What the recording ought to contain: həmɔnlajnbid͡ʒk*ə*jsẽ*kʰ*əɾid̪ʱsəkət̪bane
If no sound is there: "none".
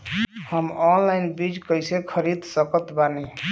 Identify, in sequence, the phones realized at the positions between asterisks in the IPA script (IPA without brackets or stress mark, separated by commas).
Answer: ə, kʰ